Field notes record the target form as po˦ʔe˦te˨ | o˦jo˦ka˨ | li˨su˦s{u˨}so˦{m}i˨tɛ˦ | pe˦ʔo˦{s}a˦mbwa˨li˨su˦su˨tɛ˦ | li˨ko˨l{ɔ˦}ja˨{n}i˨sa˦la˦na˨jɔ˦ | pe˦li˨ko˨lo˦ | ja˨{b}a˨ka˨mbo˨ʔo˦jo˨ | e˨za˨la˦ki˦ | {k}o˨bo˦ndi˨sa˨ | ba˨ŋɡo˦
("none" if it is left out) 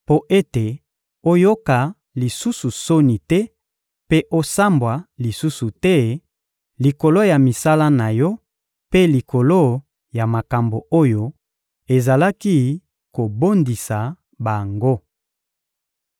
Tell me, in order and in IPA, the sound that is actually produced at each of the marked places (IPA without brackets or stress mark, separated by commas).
u˨, n, s, o˦, m, m, k